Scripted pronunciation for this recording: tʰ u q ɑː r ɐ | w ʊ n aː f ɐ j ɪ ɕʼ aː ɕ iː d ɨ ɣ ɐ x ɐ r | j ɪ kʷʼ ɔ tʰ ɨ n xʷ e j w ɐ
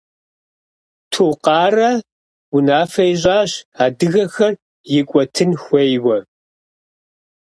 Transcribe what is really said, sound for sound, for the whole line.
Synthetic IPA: tʰ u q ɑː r ɐ | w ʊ n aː f ɐ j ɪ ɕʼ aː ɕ aː d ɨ ɣ ɐ x ɐ r | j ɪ kʷʼ ɔ tʰ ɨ n xʷ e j w ɐ